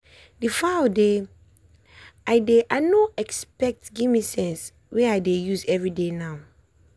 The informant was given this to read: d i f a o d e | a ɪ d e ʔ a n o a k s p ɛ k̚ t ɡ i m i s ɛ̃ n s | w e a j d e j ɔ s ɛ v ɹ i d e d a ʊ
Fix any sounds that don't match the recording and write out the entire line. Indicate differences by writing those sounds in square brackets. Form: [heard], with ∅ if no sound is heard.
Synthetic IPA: d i f a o d e | a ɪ d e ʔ a n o [ɛ] k s p ɛ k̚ t ɡ i m i s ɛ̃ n s | w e a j d e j [u] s ɛ v ɹ i d e [n] a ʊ